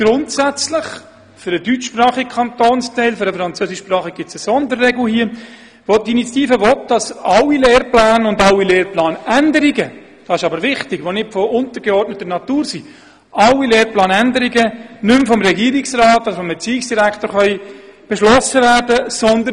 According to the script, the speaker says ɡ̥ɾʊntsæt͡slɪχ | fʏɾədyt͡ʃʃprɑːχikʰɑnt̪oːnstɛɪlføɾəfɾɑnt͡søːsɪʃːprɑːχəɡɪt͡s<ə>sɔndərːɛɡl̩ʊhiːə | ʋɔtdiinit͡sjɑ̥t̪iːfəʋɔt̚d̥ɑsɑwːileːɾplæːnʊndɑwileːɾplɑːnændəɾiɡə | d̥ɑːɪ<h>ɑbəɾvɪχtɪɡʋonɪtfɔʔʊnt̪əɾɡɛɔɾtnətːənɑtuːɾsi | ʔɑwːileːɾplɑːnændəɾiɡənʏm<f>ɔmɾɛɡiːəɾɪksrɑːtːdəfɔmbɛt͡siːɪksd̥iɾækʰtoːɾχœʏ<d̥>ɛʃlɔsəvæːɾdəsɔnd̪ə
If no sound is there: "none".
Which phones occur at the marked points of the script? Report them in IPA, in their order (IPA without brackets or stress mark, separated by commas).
ə, ʃ, f, b̥